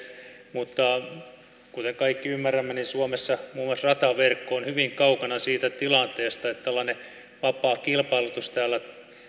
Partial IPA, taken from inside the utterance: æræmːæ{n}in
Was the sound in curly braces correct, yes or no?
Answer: yes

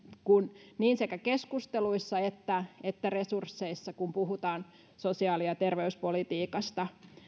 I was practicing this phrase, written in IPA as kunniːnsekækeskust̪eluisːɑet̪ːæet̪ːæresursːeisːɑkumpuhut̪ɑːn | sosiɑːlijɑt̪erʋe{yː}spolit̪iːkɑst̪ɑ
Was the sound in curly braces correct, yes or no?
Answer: no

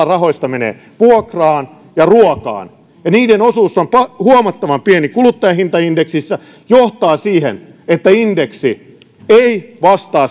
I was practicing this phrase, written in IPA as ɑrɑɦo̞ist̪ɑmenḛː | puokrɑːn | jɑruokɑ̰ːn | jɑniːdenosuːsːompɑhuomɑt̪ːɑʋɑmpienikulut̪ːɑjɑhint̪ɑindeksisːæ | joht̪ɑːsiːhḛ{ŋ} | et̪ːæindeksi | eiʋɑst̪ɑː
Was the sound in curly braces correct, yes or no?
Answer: no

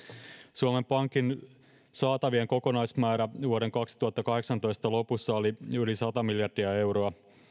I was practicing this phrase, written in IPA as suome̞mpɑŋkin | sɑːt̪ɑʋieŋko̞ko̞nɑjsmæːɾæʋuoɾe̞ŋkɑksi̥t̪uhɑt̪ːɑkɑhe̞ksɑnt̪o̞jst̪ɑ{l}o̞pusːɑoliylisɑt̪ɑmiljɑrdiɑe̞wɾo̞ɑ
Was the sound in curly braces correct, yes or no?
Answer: yes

